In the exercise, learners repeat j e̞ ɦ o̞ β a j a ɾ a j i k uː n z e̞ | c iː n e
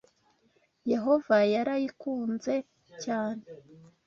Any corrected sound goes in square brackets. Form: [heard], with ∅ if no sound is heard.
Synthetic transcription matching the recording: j e̞ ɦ o̞ [v] a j a ɾ a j i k uː n z e̞ | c [aː] n e